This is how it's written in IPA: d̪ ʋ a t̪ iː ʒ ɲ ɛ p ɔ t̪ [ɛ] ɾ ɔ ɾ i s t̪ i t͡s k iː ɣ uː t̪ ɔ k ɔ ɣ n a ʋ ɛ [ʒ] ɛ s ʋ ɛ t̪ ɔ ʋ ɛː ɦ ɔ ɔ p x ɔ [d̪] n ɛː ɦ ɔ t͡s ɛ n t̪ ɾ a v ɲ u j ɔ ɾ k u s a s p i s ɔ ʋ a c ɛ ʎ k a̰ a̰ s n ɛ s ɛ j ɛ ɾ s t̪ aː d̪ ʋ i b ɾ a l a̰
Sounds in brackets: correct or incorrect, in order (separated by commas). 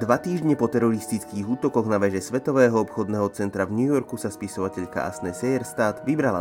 correct, correct, correct